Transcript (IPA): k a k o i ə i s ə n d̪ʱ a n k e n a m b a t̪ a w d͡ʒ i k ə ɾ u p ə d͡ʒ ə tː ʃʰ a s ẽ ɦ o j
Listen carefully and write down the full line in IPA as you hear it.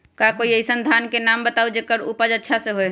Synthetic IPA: k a k o i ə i s ə n d̪ʱ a n k e n a m b ə t̪ a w d͡ʒ e k ə ɾ u p ə d͡ʒ ə tː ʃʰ a s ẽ ɦ o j